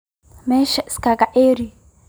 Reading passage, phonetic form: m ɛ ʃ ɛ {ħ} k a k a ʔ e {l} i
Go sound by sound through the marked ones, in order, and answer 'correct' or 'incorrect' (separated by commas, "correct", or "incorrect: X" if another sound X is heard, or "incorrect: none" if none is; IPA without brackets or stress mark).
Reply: incorrect: s, incorrect: ɾ